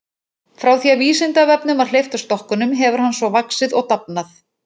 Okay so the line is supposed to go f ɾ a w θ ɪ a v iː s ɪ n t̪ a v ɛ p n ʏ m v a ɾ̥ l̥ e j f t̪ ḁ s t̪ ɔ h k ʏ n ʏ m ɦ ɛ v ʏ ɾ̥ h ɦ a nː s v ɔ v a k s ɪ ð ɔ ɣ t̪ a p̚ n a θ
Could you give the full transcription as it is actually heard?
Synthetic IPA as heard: f ɾ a w θ i a v iː s ɪ n t̪ a v ɛ p n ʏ m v a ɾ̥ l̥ e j f t̪ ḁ s t̪ ɔ h k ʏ n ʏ m ɦ ɛ v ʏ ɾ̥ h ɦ a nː s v ɔ v a k s ɪ ð ɔ ɣ t̪ a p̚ n a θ